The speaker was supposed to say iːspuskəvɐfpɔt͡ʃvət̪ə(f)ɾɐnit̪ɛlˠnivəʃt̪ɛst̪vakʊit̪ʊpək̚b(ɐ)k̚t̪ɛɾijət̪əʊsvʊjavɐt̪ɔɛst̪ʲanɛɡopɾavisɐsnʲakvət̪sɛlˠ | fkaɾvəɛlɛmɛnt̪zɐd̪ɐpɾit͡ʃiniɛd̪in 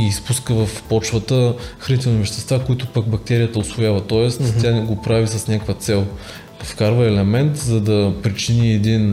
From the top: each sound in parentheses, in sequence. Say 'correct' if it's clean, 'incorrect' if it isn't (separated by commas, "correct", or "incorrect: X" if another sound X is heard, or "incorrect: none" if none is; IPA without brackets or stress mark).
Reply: incorrect: x, correct